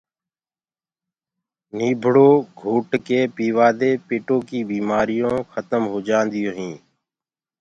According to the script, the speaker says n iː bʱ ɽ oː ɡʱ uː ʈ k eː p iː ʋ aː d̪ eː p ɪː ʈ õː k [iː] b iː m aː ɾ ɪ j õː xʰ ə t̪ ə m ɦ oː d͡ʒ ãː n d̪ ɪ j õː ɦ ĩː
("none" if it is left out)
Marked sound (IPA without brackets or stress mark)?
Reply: iː